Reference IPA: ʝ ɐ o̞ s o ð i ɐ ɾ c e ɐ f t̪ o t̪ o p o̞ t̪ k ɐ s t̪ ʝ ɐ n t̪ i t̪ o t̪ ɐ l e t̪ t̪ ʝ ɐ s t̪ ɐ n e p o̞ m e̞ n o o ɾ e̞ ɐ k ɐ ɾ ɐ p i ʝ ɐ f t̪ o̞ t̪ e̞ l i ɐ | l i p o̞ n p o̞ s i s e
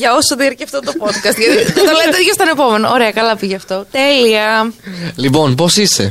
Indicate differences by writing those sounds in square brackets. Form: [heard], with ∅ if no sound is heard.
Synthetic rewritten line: ʝ ɐ o̞ s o ð i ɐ ɾ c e ɐ f t̪ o t̪ o p o̞ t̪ k ɐ s t̪ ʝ ɐ [∅] t̪ i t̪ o t̪ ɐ l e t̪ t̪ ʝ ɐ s t̪ ɐ n e p o̞ m e̞ n o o ɾ e̞ ɐ k ɐ [l] ɐ p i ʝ ɐ f t̪ o̞ t̪ e̞ l i ɐ | l i p o̞ n p o̞ s i s e